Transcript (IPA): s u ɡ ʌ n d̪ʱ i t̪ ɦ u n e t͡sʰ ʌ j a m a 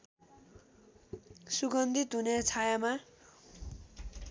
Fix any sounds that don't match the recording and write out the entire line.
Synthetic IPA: s u ɡ ʌ n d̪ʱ i t̪ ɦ u n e t͡sʰ a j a m a